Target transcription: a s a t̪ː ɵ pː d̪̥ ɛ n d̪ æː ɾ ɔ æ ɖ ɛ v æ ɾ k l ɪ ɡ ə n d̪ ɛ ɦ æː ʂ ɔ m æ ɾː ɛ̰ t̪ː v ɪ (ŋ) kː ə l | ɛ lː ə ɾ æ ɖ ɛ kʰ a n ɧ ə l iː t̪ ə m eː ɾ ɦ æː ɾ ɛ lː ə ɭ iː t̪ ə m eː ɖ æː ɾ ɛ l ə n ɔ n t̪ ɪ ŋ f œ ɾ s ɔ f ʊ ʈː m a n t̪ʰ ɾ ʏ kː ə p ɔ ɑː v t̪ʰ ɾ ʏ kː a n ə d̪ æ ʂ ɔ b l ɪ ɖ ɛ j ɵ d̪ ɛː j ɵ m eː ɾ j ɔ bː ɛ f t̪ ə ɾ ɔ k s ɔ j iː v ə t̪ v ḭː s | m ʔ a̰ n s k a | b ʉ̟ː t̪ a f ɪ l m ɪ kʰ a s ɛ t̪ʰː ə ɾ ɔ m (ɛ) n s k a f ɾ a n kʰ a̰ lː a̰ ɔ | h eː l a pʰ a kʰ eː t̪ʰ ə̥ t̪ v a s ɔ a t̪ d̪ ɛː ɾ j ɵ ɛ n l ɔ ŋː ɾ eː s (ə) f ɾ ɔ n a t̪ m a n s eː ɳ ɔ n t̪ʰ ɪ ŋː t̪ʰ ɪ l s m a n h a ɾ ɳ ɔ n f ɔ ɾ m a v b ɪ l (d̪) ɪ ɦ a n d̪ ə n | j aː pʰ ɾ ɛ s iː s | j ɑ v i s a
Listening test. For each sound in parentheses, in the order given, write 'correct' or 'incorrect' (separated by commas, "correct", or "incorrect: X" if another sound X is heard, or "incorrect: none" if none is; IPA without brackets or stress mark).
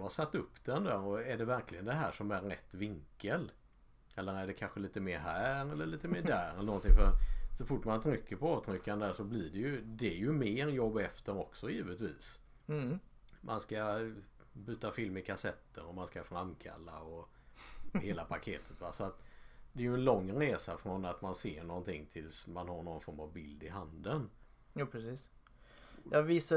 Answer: correct, incorrect: a, incorrect: a, correct